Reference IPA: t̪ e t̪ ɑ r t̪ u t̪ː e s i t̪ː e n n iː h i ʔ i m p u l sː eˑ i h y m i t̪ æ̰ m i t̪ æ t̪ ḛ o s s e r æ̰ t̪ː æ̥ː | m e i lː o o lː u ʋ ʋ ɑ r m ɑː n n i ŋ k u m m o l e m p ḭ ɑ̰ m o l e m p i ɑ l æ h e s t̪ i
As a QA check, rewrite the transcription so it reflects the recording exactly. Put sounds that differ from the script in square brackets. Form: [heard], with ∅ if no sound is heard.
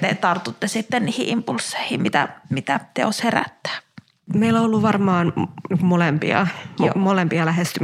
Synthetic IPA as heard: t̪ e t̪ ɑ r t̪ u t̪ː e s i t̪ː e n n iː h i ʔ i m p u l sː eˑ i h [i] m i t̪ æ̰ m i t̪ æ t̪ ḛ o s [h] e r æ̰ t̪ː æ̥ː | m e i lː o o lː u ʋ ʋ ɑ r m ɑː n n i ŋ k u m m o l e m p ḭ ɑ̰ m o l e m p i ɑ l æ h e s t̪ [y]